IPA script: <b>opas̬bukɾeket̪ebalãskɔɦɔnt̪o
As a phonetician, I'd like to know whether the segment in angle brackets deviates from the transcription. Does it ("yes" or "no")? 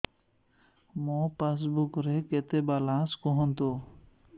yes